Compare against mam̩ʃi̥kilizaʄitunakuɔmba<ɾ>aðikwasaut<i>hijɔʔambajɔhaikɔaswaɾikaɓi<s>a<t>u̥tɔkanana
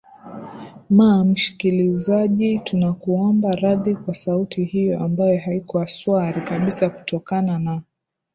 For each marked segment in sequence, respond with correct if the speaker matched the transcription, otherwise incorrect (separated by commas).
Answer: correct, correct, correct, incorrect